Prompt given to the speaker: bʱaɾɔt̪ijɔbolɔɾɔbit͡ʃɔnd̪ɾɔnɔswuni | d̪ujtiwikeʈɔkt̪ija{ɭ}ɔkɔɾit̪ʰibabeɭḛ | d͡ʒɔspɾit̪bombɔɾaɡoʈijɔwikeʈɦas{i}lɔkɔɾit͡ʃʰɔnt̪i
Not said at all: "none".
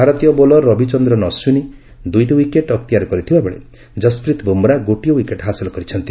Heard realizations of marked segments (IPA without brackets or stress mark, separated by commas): ɾ, i